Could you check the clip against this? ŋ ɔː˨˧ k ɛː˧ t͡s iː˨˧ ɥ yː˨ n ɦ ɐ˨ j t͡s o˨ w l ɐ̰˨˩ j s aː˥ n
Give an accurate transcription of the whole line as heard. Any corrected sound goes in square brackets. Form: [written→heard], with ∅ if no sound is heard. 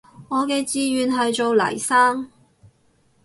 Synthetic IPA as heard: ŋ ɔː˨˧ k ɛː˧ t͡s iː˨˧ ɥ yː˨ n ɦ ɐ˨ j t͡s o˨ w l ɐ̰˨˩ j s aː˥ [n→ŋ]